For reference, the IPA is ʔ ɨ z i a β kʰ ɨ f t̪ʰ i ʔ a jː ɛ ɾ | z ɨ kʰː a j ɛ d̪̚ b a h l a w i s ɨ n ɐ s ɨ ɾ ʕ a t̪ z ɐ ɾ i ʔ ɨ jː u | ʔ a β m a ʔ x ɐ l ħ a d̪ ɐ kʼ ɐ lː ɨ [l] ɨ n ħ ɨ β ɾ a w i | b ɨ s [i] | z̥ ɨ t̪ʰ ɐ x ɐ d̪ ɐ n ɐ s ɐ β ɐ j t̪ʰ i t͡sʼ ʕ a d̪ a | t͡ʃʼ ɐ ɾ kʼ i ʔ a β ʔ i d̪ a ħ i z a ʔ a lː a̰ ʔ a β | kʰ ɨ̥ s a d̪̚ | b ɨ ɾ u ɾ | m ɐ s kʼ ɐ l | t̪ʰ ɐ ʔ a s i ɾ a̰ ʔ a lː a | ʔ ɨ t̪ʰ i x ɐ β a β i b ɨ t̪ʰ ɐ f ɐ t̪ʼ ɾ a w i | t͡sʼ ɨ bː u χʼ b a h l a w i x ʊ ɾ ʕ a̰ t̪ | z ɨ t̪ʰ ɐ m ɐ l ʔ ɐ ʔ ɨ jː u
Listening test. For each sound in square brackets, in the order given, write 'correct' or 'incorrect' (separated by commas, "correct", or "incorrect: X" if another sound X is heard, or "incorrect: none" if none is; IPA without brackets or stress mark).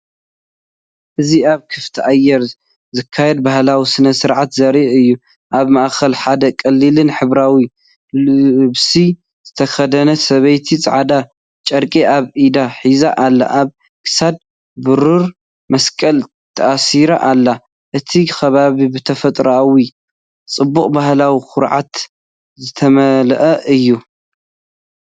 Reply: correct, correct